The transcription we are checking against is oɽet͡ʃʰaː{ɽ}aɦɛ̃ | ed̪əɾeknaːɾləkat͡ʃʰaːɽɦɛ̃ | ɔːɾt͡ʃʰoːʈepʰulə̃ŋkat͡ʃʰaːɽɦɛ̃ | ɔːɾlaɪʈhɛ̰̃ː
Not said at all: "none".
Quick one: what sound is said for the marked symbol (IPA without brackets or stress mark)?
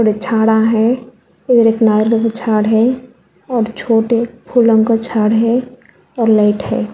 ɽ